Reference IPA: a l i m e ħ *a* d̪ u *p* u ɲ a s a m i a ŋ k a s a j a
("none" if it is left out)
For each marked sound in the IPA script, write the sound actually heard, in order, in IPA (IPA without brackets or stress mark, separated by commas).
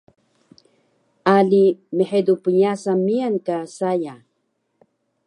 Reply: e, p